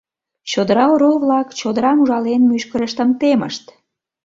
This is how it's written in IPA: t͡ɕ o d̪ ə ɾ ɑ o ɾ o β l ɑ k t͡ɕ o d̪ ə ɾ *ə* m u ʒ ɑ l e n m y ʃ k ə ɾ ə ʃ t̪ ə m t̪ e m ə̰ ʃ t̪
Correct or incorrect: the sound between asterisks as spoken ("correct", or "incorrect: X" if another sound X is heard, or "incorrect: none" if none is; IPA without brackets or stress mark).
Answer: incorrect: ɑ